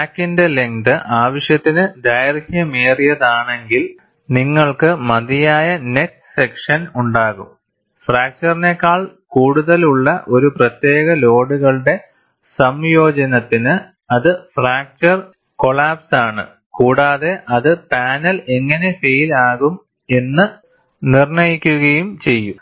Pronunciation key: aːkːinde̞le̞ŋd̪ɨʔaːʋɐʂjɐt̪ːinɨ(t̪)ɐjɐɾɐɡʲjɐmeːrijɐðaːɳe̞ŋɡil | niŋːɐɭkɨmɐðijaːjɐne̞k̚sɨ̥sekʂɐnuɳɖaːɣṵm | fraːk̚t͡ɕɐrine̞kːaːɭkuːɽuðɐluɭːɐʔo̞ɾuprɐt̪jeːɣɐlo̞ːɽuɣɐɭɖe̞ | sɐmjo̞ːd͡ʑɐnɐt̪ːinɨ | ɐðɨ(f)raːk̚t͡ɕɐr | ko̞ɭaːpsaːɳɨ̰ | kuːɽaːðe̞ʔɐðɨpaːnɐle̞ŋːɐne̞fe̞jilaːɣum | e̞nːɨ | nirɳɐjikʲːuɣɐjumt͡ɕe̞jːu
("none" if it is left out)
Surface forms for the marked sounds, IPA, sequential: d̪, f

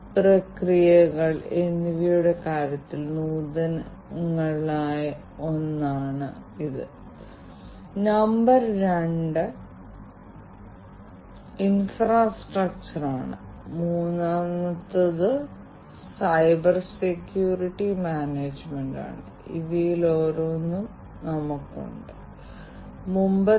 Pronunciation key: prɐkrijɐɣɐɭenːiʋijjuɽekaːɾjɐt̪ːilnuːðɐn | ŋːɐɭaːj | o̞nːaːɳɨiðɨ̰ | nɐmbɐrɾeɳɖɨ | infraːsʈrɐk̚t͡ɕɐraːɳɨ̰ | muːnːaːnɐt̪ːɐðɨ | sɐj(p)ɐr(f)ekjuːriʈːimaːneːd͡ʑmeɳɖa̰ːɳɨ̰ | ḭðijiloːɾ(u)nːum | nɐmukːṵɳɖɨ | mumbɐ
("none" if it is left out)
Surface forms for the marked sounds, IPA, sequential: b, s, o

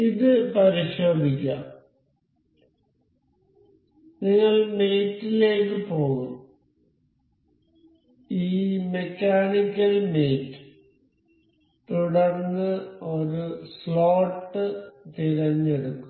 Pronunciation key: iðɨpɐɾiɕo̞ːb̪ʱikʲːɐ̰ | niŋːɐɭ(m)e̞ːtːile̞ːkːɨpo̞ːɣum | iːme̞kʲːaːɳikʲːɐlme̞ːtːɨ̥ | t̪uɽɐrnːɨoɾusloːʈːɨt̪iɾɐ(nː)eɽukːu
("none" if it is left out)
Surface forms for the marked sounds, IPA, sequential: m, ɲː

